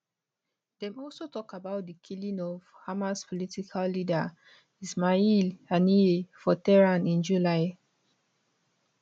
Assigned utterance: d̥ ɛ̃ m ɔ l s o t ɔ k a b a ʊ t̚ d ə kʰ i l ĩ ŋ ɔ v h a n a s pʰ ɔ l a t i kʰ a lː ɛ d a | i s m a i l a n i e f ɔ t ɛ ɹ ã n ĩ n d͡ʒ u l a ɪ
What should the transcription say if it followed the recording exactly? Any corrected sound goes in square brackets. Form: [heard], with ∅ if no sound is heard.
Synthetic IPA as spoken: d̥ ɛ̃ m ɔ l s o t ɔ k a b a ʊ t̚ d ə kʰ i l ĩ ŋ ɔ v h a [m] a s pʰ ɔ l [i] t i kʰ a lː [i] d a | i s m a i l a n i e f ɔ t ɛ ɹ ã n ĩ n d͡ʒ u l a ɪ